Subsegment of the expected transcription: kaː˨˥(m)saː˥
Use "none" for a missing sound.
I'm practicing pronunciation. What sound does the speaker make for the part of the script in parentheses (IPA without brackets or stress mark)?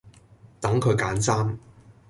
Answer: n